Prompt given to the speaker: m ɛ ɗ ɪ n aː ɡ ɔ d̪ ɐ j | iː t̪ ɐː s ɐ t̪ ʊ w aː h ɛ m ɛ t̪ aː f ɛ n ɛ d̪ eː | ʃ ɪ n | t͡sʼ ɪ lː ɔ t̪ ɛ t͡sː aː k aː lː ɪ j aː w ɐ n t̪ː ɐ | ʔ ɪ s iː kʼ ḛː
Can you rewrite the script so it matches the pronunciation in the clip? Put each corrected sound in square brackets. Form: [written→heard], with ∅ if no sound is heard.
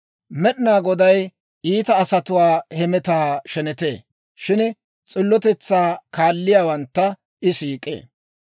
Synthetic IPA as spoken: m ɛ ɗ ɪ n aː ɡ ɔ d̪ ɐ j | iː t̪ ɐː s ɐ t̪ ʊ w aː h ɛ m ɛ t̪ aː [f→ʃ] ɛ n ɛ [d̪→t̪] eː | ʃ ɪ n | t͡sʼ ɪ lː ɔ t̪ ɛ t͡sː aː k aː lː ɪ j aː w ɐ n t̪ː ɐ | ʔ ɪ s iː kʼ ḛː